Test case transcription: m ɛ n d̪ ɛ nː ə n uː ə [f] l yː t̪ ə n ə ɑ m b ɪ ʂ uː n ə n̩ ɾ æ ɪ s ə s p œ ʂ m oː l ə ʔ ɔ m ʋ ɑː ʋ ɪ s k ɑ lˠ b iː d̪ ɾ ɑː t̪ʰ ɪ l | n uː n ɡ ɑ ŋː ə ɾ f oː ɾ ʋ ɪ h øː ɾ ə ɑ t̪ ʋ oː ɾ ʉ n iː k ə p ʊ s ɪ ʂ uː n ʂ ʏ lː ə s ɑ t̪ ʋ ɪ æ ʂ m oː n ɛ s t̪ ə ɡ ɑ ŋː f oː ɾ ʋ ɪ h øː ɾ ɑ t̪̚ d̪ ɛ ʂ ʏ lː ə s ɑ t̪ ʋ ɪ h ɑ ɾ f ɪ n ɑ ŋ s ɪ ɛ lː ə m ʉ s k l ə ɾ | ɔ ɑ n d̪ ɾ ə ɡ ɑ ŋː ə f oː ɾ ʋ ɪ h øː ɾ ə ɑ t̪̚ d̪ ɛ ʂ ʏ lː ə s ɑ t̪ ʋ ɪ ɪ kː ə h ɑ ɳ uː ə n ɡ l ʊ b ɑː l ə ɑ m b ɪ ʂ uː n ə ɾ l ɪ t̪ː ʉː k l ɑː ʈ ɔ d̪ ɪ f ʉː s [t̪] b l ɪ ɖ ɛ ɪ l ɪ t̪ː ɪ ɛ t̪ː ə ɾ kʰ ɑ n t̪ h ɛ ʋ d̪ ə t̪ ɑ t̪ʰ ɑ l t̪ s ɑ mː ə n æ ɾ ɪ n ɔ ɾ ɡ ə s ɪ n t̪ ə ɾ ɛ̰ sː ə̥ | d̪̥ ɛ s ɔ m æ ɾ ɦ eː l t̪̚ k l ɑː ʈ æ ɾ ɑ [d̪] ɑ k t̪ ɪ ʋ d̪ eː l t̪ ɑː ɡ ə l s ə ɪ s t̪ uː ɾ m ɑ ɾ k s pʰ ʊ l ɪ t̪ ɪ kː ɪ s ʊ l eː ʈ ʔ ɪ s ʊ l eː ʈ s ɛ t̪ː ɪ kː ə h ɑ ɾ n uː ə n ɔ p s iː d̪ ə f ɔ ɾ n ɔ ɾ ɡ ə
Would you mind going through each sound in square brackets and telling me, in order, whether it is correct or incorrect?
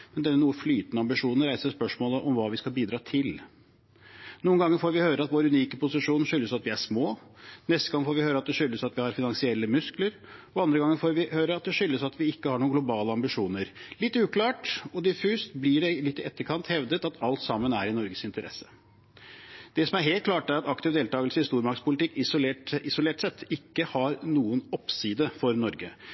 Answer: correct, correct, incorrect: t̪

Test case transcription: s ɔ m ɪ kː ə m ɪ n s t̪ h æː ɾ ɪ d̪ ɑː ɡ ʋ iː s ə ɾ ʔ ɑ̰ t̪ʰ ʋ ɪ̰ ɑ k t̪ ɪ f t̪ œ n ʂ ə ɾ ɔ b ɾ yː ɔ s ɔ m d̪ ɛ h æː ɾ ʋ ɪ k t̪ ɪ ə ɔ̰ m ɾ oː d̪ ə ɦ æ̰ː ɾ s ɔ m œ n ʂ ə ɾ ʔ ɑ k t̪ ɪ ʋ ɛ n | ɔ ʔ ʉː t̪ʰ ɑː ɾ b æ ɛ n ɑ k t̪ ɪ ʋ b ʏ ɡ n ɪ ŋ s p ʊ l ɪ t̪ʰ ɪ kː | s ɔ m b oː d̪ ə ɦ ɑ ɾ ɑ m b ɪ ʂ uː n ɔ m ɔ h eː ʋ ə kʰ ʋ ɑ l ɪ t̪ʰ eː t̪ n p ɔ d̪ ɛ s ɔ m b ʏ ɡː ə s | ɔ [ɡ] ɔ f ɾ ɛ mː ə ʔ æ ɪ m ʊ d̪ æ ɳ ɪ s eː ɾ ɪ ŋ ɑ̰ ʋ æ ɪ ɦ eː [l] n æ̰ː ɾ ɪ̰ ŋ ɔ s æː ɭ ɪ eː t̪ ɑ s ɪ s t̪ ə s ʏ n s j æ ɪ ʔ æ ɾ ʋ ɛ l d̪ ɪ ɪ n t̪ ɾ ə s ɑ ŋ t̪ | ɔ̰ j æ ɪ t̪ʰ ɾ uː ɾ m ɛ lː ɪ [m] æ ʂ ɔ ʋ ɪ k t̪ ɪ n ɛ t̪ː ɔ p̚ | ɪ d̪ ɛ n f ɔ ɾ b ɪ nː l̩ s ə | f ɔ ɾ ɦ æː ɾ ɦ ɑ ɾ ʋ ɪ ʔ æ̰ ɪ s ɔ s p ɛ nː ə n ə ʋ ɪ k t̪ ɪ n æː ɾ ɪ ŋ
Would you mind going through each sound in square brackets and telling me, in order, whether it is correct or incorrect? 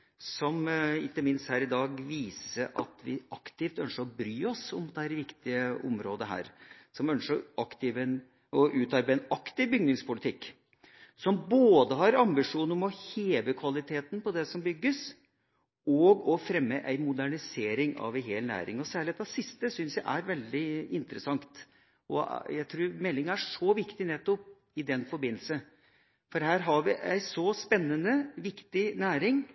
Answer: correct, correct, incorrect: ŋ

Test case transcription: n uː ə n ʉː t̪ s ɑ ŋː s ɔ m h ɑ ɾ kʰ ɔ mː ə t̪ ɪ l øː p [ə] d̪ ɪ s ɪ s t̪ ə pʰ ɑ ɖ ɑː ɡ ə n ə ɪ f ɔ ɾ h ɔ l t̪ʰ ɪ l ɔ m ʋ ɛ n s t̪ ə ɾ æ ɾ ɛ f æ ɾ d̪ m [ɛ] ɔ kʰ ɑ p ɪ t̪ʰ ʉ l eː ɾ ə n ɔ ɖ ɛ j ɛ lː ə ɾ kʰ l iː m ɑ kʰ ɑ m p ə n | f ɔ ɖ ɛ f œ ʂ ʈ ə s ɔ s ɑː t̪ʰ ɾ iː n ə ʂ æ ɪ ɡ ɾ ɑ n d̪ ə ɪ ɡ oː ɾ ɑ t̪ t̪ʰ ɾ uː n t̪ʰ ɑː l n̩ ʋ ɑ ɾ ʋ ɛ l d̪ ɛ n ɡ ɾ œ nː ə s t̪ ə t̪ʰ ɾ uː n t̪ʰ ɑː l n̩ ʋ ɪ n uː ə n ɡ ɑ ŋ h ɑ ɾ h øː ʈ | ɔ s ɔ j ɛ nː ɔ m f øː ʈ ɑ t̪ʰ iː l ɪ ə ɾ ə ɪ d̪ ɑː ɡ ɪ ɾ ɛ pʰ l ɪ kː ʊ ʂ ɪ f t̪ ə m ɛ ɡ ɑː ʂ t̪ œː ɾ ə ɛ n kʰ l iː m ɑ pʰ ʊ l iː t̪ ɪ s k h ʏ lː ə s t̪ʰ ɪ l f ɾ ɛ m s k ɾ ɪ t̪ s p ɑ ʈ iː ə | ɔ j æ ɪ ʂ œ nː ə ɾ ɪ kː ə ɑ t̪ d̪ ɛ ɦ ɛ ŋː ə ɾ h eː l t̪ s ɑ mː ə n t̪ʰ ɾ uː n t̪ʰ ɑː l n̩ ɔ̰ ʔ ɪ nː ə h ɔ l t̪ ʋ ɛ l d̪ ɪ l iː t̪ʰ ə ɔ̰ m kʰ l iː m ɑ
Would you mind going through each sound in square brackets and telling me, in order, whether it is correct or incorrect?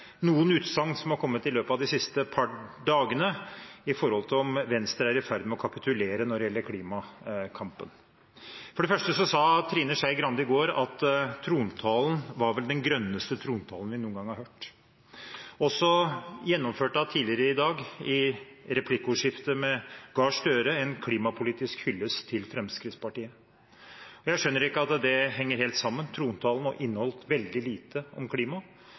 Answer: incorrect: ɑ, correct

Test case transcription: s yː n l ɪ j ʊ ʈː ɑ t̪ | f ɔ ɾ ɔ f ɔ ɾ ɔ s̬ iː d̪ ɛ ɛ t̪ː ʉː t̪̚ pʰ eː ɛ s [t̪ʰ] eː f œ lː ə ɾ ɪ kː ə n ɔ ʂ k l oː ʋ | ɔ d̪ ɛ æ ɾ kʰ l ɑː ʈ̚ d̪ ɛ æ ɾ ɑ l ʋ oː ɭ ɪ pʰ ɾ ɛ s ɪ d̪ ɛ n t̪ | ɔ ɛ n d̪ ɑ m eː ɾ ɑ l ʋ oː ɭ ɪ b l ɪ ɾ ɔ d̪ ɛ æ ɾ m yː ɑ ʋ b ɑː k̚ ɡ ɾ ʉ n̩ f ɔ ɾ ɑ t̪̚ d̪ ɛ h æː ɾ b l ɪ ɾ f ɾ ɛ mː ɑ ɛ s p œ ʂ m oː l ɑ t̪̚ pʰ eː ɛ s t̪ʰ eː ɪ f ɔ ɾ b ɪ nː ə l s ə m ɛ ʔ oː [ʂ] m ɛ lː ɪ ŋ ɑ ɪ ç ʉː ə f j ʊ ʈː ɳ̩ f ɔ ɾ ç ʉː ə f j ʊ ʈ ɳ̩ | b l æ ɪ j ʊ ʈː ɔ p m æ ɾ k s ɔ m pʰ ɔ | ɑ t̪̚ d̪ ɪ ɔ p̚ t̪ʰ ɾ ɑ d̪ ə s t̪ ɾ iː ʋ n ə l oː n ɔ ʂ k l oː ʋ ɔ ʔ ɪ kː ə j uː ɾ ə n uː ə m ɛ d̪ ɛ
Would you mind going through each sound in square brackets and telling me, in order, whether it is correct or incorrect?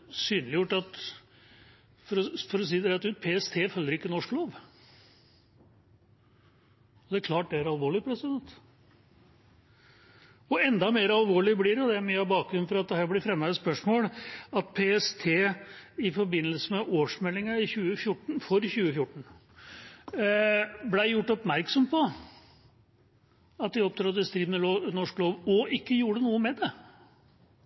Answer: correct, correct

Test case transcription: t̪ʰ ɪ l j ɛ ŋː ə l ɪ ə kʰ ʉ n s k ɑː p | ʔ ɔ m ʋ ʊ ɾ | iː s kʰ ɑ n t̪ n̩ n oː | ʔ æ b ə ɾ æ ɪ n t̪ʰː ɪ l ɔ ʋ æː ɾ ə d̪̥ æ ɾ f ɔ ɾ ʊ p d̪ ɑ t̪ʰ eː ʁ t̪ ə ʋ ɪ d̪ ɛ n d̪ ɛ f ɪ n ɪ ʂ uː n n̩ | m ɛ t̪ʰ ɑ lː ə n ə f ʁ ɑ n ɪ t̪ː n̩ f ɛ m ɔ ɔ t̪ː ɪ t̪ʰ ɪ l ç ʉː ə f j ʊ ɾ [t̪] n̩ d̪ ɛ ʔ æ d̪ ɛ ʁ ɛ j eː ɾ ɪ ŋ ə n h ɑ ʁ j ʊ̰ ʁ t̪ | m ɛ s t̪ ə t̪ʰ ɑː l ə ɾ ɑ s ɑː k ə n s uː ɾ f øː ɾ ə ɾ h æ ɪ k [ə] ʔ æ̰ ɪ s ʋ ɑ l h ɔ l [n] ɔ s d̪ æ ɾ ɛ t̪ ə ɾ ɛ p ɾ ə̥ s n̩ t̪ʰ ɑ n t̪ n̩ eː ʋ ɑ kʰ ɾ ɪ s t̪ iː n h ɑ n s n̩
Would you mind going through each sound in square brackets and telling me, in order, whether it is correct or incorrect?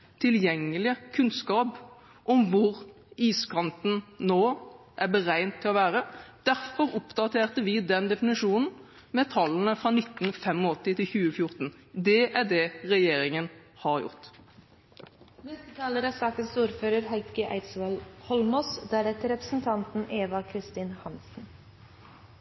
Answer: correct, correct, incorrect: m

